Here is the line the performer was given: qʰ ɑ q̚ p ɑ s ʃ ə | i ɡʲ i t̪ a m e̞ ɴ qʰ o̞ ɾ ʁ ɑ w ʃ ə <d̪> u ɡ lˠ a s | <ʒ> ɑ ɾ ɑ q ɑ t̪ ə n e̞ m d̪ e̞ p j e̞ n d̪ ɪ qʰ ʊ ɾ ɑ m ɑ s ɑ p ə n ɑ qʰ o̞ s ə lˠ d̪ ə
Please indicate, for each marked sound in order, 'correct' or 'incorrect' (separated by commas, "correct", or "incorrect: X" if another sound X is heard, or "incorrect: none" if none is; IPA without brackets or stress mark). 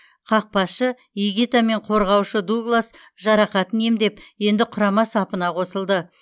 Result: correct, correct